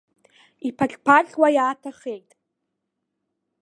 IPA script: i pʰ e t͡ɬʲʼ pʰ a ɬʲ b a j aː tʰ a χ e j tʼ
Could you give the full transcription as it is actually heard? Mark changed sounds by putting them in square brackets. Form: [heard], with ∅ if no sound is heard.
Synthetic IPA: i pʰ [a] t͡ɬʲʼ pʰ a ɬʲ [w] a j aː tʰ a χ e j tʼ